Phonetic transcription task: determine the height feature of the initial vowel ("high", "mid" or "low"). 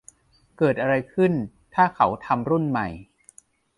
mid